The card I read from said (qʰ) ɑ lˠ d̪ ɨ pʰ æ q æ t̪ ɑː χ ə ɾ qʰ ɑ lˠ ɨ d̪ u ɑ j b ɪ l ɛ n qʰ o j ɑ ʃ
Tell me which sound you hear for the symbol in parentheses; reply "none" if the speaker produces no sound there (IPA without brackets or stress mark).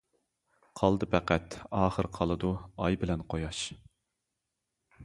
qʰ